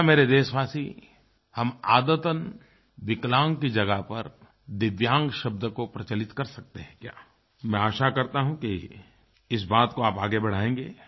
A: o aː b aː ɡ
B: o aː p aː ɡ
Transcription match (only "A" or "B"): B